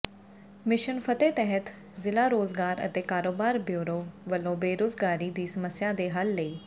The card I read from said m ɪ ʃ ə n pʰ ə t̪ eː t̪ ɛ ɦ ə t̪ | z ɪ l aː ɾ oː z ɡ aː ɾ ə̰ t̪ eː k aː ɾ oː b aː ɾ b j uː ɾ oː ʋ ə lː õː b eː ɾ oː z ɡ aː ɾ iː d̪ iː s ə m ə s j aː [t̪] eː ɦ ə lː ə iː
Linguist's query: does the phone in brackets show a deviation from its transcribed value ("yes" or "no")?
yes